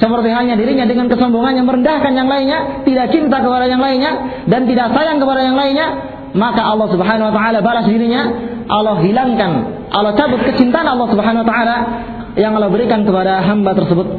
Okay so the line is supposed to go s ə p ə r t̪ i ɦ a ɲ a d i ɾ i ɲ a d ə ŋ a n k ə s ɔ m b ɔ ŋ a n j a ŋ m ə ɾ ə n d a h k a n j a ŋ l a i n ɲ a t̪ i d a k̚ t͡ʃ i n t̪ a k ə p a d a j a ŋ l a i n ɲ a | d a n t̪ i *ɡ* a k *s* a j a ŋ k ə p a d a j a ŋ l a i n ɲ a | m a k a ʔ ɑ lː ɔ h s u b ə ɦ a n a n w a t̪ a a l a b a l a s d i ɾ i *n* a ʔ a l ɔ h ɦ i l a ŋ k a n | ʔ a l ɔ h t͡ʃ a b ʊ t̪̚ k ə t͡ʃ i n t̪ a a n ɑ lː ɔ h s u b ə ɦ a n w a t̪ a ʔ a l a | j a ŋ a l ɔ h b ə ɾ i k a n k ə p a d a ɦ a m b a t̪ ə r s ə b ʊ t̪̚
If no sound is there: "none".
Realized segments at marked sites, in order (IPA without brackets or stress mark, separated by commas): d, s, ɲ